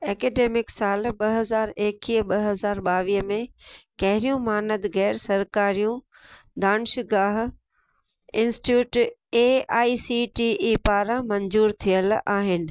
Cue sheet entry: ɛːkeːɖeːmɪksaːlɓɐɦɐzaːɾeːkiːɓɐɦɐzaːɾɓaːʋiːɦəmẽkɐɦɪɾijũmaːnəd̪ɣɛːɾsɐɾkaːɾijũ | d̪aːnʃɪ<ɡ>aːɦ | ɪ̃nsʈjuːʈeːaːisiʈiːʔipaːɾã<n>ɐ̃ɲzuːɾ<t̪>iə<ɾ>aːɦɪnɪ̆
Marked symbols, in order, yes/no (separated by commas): yes, no, no, no